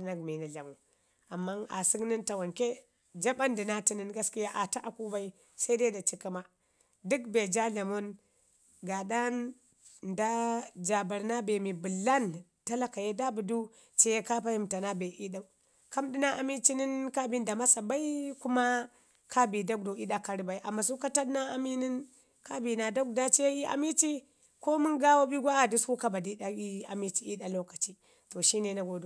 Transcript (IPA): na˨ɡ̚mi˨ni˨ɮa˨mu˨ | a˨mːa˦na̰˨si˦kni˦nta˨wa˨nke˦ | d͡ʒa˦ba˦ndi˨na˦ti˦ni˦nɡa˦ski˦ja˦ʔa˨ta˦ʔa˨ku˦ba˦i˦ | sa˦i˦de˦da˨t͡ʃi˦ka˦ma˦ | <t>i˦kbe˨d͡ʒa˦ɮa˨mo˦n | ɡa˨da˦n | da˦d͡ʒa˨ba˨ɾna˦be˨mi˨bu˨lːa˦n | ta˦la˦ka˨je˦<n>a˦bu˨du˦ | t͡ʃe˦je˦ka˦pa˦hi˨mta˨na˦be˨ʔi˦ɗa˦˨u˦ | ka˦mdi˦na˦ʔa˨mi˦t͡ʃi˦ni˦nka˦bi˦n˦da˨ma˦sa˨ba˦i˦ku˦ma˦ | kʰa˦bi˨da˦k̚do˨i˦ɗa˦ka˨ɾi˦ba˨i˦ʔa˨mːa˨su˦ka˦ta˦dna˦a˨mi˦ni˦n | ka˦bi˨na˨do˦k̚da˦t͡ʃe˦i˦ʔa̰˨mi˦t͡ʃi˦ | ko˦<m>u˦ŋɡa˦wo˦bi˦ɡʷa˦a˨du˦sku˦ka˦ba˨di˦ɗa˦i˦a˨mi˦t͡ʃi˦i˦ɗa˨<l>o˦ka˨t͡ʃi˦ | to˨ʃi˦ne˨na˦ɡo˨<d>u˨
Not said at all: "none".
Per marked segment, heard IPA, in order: d, d, m, l, d

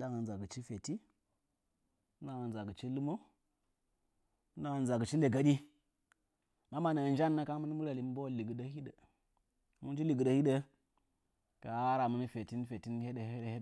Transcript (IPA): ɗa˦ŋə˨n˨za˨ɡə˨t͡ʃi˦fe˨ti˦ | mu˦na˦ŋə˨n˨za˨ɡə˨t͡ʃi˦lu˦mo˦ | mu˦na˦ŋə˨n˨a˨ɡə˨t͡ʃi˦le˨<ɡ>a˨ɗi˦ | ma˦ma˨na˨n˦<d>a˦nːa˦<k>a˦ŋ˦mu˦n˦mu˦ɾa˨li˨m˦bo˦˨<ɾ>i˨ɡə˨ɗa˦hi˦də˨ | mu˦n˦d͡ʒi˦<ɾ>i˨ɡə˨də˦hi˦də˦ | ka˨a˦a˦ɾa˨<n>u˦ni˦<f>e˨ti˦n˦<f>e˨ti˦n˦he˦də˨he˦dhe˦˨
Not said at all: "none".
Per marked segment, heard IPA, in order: ɡ, d͡ʒ, k, l, l, m, f, f

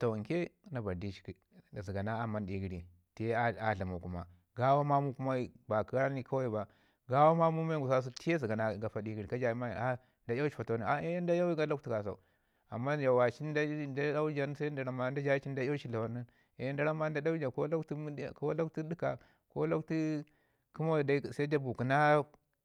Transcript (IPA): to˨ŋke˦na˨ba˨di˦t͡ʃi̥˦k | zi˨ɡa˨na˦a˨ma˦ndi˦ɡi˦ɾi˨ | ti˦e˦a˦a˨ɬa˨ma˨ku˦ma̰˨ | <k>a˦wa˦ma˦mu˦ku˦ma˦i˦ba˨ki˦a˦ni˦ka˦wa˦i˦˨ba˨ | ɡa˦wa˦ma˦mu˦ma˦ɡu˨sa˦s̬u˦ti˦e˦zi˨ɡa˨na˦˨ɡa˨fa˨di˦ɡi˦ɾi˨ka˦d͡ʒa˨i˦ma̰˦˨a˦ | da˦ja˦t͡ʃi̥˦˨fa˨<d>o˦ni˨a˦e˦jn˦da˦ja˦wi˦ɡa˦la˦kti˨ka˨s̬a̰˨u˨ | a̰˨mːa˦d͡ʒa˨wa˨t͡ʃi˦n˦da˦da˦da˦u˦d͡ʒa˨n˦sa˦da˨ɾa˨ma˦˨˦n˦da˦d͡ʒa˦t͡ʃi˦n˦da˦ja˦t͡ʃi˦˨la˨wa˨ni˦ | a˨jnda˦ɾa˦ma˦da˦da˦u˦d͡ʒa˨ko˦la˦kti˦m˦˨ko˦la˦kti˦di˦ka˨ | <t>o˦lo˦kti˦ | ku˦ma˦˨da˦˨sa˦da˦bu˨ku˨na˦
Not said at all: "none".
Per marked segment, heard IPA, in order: ɡ, t, k

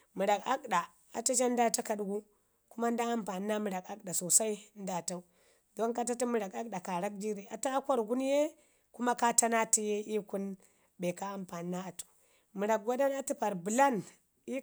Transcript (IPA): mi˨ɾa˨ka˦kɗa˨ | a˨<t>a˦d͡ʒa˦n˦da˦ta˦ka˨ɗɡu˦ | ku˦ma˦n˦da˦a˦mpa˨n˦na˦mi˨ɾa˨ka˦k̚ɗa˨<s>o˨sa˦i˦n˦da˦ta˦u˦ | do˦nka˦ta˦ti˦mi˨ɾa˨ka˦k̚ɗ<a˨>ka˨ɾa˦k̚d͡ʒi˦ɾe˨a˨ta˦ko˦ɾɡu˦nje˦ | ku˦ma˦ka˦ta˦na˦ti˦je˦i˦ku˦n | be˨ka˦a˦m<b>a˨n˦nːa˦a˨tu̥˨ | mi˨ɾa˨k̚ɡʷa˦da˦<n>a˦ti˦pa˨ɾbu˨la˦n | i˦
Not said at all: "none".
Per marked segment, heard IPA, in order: t, s, a˨, p, n

